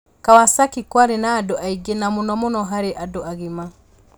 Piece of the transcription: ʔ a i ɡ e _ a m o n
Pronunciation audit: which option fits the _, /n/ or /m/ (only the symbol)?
n